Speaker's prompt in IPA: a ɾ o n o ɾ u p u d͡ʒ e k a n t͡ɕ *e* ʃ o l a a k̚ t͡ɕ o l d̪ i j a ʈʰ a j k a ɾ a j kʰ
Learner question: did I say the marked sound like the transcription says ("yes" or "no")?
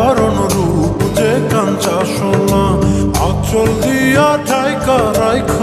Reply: no